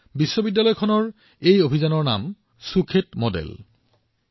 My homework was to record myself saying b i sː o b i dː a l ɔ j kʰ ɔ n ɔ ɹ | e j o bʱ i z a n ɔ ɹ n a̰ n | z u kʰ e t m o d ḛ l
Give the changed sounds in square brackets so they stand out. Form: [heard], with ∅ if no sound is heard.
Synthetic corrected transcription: b i sː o b i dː a l ɔ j kʰ ɔ n ɔ ɹ | e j o bʱ i z a n ɔ ɹ n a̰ [m] | [s] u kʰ e t m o d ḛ l